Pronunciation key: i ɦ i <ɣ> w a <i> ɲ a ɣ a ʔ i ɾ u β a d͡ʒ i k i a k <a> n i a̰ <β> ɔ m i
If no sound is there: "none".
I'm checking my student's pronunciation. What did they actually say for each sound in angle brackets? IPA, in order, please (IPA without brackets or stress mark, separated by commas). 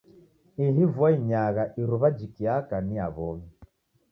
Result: v, i, a, β